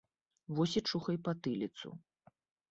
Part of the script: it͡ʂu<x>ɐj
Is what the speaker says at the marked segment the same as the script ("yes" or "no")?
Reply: yes